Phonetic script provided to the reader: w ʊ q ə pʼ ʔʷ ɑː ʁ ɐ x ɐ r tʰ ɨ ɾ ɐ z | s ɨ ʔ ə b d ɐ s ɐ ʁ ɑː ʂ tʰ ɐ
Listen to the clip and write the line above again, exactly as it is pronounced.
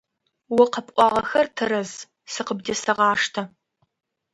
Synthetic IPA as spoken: w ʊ q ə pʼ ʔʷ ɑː ʁ ɐ x ɐ r tʰ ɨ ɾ ɐ z | s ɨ q ə b d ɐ s ɐ ʁ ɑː ʂ tʰ ɐ